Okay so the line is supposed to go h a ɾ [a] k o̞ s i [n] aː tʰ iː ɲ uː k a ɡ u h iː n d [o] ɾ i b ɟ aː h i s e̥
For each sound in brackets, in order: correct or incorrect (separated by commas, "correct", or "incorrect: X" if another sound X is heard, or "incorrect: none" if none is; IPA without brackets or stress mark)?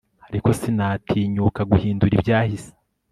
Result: incorrect: i, correct, incorrect: u